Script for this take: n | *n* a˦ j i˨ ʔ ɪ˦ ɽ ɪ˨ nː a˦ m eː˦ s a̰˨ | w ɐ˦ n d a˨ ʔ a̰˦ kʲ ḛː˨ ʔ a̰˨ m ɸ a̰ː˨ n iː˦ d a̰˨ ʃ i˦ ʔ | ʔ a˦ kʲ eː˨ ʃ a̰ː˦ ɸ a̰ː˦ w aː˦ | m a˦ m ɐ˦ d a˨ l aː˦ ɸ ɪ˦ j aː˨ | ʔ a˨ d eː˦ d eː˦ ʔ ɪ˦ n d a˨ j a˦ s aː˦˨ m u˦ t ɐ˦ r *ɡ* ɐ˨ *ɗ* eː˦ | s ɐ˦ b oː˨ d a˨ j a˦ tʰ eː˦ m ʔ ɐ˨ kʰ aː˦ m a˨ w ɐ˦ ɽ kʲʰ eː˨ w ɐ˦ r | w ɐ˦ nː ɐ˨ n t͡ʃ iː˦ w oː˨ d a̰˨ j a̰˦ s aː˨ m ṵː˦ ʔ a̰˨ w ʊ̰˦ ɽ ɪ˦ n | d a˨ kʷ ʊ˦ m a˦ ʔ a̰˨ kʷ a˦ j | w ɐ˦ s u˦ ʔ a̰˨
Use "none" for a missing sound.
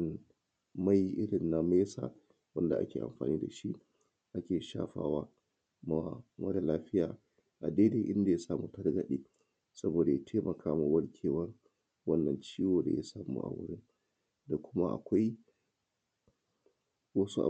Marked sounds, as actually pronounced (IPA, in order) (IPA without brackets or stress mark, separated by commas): m, ɡ, ɗ